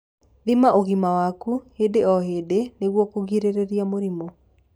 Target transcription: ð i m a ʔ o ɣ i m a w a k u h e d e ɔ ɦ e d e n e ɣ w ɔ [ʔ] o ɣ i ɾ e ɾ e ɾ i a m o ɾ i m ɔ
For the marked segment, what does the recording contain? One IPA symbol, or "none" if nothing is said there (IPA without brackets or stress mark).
k